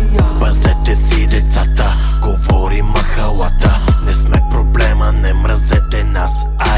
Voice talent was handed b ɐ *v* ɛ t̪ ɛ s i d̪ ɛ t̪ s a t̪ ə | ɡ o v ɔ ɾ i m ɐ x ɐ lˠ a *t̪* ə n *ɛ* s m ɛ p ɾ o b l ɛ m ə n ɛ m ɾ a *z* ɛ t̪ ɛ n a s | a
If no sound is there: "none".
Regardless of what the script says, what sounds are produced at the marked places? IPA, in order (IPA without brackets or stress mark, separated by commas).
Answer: z, t̪, ɛ, z